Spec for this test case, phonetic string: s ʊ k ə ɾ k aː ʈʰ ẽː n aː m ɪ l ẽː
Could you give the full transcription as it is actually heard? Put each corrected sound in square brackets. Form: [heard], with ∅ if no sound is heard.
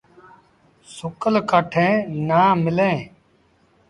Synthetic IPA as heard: s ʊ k ə [l] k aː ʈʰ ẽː n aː m ɪ l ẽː